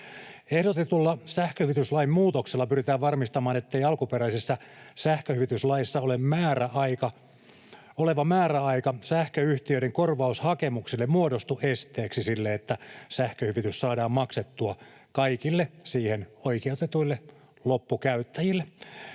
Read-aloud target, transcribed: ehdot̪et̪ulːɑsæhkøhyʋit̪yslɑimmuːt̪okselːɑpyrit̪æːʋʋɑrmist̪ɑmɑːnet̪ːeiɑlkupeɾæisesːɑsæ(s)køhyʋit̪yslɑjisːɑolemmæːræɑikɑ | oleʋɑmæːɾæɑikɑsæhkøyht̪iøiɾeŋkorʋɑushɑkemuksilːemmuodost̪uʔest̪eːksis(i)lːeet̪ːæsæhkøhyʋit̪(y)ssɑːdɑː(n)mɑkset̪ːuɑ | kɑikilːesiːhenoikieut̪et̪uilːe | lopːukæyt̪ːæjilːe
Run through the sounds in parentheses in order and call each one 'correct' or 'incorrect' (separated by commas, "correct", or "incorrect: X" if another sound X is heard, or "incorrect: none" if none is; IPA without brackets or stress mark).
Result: incorrect: h, correct, correct, incorrect: m